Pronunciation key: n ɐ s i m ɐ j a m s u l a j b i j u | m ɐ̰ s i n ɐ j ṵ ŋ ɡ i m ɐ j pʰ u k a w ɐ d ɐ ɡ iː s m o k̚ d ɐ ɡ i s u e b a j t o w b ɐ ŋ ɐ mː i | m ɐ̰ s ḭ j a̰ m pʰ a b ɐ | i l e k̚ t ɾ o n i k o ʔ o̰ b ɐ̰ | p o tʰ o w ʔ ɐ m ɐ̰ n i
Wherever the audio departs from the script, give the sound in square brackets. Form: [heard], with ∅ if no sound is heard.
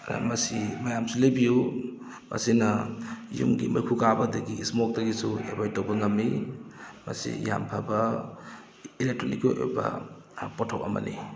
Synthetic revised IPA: [m] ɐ s i m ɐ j a m s u l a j b i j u | m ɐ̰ s i n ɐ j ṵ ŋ ɡ i m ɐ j [kʰ] u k a [b] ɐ d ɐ ɡ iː s m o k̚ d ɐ ɡ i s u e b a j t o w b ɐ ŋ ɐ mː i | m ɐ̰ s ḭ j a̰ m pʰ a b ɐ | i l e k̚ t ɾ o n i k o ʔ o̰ b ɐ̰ | p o tʰ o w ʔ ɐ m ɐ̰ n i